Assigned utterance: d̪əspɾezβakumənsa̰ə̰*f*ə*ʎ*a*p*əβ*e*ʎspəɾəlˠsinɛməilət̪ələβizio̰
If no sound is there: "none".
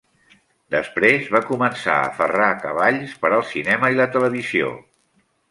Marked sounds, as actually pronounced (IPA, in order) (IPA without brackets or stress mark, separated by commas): f, r, k, a